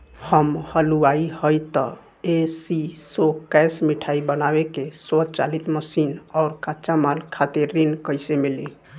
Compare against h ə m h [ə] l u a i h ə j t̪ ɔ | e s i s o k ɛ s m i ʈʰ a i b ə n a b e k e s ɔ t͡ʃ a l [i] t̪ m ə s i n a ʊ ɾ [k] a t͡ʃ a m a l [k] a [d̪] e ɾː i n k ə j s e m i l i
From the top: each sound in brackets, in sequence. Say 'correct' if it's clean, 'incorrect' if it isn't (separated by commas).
correct, correct, correct, incorrect, incorrect